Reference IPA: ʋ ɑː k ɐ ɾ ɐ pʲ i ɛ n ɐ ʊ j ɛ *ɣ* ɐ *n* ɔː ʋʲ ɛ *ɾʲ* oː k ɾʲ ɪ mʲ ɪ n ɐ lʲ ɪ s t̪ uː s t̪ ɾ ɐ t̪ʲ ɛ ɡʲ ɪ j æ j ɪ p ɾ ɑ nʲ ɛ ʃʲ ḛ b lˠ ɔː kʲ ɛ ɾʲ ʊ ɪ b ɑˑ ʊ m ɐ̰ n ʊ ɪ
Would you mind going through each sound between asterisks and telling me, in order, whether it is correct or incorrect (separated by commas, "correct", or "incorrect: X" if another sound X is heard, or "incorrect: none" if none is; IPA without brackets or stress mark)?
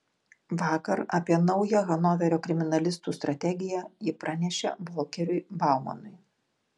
correct, correct, correct